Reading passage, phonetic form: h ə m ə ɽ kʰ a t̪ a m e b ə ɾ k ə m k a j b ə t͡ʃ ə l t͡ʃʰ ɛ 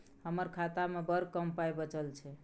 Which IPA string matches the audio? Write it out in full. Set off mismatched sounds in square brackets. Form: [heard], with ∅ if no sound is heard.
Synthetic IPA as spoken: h ə m ə [ɾ] kʰ a t̪ a m e b ə ɾ k ə m [p] a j b ə t͡ʃ ə l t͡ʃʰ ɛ